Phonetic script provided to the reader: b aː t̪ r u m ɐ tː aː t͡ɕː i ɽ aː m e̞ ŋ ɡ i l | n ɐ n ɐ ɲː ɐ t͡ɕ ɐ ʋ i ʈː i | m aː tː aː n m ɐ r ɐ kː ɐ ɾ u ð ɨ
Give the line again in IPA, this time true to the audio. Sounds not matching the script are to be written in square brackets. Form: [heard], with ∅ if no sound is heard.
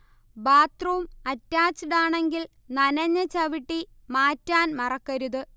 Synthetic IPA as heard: b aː t̪ r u m ɐ tː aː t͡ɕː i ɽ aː [ɳ] e̞ ŋ ɡ i l | n ɐ n ɐ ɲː ɐ t͡ɕ ɐ ʋ i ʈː i | m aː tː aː n m ɐ r ɐ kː ɐ ɾ u ð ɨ